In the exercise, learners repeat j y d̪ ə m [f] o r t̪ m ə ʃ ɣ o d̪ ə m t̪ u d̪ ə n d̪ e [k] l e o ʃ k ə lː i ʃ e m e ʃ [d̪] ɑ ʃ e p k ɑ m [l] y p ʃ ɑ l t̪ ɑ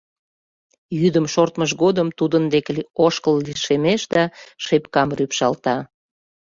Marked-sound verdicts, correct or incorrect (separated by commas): incorrect, correct, correct, incorrect